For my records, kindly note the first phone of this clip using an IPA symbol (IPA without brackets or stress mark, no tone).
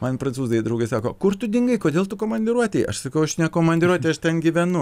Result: m